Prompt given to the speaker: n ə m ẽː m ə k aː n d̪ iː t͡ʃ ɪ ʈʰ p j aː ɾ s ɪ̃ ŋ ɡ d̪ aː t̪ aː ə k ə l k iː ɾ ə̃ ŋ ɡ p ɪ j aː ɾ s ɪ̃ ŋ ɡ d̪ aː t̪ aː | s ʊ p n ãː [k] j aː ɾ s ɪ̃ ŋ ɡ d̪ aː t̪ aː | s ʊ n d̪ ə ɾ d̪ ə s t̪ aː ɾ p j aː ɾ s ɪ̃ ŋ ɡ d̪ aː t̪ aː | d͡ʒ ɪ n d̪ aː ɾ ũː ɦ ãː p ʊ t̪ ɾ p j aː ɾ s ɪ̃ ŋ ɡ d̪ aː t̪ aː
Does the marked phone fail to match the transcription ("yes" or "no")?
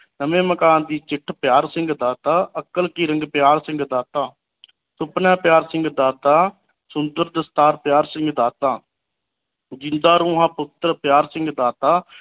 yes